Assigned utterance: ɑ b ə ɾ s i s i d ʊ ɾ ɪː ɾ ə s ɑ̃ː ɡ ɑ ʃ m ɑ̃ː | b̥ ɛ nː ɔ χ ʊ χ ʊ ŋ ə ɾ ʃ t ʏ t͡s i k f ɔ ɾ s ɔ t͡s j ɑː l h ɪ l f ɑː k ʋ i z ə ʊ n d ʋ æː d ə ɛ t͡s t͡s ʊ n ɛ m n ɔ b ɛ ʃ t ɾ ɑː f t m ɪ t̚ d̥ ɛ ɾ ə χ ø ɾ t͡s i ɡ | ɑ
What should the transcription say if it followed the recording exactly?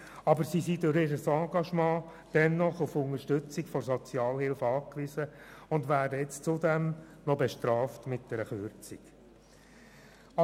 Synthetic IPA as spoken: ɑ b ə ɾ s i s i d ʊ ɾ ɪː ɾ ə s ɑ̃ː ɡ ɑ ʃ m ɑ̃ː | d̥ ɛ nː ɔ χ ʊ f ʊ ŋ ə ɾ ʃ t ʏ t͡s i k f ɔ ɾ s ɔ t͡s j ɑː l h ɪ l f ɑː k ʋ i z ə ʊ n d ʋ æː d ə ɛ t͡s t͡s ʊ d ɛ m n ɔ b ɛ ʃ t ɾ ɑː f t m ɪ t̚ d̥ ɛ ɾ ə χ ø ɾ t͡s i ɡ | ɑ